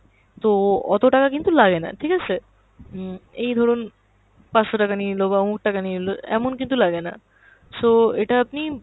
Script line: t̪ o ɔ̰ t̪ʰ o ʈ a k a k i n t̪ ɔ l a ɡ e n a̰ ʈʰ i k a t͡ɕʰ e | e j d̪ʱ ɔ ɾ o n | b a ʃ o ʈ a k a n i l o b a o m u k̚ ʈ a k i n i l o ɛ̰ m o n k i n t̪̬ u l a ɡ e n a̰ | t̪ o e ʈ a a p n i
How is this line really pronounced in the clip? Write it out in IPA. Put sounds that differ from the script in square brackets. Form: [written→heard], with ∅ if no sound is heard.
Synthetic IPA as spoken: t̪ o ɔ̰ [t̪ʰ→t̪] o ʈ a k a k i n t̪ [ɔ→u] l a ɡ e n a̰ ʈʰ i k a t͡ɕʰ e | e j d̪ʱ ɔ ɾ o n | [b→p] a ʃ o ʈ a k a n i l o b a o m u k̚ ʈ a k [i→a] n i l o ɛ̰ m o n k i n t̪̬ u l a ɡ e n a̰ | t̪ o e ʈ a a p n i